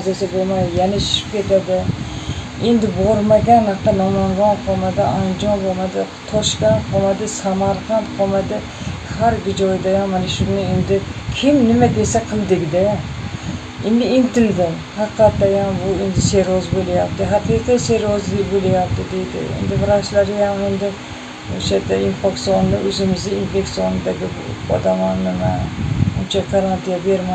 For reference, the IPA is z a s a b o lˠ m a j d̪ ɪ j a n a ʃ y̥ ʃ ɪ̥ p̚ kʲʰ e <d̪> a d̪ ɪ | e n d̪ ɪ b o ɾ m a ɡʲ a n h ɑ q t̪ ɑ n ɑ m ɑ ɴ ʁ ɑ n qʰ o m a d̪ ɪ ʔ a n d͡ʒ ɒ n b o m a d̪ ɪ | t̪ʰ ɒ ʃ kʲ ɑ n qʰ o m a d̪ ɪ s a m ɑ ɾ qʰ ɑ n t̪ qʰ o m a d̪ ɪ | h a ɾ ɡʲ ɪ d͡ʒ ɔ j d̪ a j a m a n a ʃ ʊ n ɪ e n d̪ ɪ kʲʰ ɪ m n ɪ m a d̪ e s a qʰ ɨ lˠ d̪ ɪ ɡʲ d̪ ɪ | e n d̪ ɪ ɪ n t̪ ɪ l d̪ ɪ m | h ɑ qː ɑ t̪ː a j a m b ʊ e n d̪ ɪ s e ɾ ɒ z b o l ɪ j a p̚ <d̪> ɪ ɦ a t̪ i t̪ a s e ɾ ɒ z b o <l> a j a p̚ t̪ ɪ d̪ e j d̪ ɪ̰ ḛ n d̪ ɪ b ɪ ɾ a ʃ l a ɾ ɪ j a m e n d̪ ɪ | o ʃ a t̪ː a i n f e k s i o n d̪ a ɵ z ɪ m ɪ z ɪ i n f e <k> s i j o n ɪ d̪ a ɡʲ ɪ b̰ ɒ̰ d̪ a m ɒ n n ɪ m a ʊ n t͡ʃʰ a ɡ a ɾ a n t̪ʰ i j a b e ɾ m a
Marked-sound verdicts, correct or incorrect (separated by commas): incorrect, incorrect, correct, correct